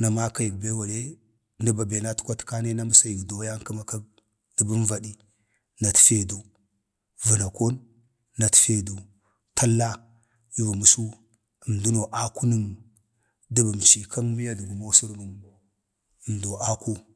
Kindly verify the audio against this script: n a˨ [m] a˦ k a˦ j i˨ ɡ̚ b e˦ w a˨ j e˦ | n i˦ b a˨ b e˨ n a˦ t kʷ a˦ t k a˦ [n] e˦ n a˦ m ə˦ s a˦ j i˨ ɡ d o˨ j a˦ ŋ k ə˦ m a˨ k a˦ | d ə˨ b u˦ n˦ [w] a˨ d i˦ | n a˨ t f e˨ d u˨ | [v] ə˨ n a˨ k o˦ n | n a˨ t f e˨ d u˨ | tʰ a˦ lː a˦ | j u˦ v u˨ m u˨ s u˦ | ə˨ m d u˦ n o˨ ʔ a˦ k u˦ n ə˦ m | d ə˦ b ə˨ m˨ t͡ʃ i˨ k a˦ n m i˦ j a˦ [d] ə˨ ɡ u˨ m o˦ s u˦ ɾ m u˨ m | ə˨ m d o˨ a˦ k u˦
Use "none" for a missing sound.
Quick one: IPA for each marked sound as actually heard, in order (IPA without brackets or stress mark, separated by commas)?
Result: m, n, v, v, d